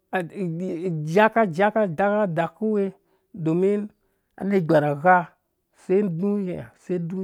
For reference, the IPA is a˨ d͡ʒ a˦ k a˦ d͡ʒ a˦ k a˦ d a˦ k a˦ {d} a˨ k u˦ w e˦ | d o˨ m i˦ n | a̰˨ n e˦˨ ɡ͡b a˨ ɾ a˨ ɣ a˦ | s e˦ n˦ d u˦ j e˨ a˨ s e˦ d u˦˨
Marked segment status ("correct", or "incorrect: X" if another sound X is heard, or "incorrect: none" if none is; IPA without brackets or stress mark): correct